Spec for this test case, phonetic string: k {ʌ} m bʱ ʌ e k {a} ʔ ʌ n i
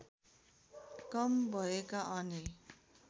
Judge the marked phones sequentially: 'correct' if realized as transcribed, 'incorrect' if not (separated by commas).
correct, correct